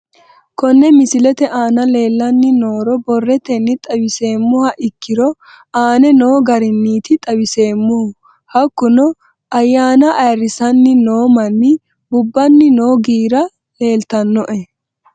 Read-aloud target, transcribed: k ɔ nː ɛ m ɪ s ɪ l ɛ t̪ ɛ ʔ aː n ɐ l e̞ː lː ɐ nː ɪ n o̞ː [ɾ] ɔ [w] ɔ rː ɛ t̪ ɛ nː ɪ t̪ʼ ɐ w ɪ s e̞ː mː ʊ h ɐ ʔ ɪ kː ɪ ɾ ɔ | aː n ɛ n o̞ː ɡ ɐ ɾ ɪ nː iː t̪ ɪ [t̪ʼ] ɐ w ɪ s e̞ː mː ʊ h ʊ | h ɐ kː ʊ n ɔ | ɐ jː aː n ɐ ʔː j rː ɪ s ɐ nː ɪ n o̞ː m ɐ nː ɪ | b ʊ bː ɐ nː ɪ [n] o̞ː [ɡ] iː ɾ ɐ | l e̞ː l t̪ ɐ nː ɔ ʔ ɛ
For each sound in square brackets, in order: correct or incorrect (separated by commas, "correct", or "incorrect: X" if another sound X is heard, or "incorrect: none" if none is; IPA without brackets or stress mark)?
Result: correct, incorrect: b, correct, correct, correct